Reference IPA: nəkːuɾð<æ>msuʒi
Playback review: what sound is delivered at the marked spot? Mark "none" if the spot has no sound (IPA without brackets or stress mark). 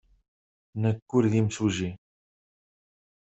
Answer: i